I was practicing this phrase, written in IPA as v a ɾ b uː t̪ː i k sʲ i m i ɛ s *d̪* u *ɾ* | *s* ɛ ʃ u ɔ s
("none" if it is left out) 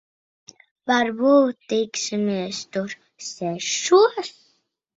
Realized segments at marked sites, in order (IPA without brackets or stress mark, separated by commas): t̪, ɾ, s